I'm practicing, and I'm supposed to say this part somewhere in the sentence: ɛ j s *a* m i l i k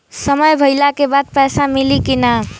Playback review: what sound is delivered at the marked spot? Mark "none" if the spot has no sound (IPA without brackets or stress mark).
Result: a